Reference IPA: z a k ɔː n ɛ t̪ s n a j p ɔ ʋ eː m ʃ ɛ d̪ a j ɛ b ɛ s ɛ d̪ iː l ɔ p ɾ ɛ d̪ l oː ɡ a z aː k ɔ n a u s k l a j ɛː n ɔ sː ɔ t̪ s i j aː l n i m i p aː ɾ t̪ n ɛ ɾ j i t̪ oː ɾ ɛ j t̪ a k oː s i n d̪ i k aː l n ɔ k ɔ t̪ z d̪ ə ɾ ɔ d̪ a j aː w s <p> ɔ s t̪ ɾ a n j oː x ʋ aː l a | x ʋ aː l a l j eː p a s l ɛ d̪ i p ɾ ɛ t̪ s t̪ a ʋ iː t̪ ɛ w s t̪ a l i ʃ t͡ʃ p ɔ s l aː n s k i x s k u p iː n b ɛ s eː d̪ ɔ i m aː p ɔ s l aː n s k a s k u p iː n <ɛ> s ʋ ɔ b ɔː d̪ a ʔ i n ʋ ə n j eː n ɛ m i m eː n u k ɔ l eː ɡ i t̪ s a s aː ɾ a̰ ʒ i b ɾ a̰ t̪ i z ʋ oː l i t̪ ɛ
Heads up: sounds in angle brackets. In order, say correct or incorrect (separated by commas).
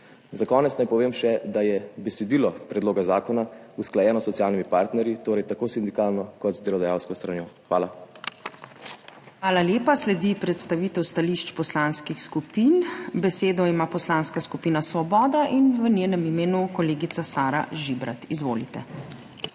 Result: incorrect, incorrect